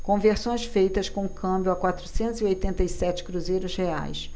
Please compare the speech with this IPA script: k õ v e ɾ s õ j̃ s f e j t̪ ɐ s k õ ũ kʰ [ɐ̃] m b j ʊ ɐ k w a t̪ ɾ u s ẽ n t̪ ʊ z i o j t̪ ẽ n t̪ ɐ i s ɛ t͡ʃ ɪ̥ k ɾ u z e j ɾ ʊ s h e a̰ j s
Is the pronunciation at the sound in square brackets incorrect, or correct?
correct